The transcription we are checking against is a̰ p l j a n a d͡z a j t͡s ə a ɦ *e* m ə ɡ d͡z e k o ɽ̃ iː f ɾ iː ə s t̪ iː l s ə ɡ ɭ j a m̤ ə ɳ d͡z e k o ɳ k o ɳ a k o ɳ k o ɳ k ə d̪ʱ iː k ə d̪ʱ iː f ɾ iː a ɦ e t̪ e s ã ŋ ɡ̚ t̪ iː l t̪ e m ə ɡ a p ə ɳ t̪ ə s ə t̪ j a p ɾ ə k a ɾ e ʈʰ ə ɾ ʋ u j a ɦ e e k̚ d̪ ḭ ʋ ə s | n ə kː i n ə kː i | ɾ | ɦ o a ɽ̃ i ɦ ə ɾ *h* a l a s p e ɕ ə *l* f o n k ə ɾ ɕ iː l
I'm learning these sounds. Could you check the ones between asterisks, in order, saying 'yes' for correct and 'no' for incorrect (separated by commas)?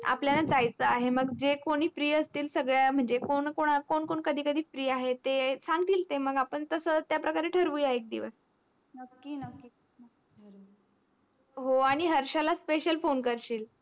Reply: yes, no, yes